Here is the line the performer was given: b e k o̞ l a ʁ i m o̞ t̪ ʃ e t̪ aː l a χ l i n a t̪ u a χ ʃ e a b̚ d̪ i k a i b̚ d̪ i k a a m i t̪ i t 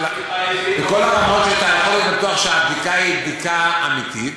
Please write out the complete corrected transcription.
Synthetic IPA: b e k o̞ l a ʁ a m o̞ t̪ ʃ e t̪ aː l a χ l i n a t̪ u a χ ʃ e a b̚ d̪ i k a i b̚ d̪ i k a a m i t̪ i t